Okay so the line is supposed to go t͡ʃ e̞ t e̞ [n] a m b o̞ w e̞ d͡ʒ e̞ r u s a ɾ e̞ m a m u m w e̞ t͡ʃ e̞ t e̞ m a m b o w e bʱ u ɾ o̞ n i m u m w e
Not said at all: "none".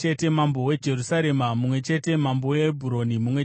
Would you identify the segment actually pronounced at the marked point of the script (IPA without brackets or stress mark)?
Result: m